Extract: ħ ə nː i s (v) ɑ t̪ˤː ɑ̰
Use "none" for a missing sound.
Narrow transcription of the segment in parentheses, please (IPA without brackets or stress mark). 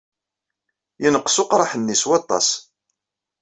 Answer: w